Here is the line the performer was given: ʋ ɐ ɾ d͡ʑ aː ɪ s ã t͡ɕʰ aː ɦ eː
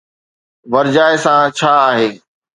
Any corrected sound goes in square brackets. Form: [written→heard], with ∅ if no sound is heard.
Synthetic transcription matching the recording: ʋ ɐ ɾ d͡ʑ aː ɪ s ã t͡ɕʰ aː ɦ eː